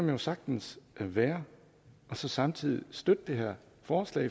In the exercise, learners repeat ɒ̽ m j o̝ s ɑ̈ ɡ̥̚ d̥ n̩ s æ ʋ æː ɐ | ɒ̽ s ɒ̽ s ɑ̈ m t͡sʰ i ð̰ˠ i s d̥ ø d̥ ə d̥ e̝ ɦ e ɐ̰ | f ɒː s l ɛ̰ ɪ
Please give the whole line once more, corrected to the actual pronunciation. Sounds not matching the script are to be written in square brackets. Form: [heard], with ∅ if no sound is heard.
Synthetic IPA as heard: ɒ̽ m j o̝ s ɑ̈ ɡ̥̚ d̥ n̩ s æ ʋ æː ɐ | ɒ̽ s ɒ̽ s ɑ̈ m t͡sʰ i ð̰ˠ i s d̥ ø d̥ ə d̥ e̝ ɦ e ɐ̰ | f ɒː s l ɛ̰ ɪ